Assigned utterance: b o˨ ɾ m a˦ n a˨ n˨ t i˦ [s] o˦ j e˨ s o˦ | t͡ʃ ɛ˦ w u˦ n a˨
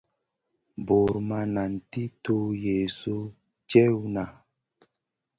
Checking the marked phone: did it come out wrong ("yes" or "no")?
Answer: yes